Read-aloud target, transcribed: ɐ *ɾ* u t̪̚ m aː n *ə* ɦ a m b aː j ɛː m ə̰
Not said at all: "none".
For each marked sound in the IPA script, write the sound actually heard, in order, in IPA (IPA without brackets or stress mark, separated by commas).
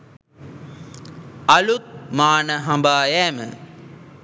l, ə